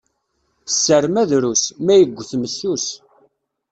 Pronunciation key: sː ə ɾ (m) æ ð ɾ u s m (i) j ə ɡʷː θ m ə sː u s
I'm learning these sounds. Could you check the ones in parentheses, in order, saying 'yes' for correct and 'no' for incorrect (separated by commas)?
yes, no